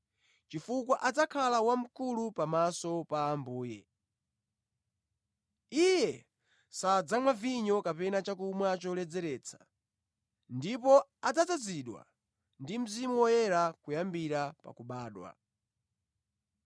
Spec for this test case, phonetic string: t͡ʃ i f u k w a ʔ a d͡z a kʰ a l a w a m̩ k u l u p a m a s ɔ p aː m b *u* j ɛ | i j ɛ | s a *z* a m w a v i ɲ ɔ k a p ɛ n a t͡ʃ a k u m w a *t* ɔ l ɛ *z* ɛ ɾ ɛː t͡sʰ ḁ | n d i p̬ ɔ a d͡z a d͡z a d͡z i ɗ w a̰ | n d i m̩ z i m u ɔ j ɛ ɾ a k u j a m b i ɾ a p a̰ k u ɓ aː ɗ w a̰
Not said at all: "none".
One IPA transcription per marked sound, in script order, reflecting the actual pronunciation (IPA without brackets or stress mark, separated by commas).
uː, d͡z, t͡ʃ, d͡z